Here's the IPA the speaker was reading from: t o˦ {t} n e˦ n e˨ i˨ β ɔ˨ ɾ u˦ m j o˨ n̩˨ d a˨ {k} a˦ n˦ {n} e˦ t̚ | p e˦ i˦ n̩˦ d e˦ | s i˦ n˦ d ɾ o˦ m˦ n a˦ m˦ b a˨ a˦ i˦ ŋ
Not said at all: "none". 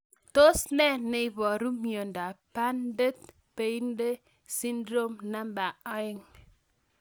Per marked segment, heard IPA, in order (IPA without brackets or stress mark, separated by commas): s, p, d